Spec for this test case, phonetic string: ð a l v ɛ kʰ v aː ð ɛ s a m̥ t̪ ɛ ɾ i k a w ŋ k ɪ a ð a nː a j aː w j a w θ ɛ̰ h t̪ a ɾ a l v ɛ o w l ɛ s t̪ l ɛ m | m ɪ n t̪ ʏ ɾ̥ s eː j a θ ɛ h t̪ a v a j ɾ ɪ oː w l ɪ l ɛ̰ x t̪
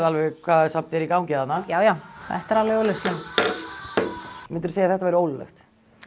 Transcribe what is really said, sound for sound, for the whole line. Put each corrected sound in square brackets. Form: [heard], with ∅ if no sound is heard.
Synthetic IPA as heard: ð a l v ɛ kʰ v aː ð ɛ s a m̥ t̪ ɛ ɾ i k a w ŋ [c] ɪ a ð a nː a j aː w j a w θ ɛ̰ h t̪ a ɾ a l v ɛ o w l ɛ s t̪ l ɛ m | m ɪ n t̪ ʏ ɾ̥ s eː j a θ ɛ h t̪ a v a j ɾ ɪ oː w l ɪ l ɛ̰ x t̪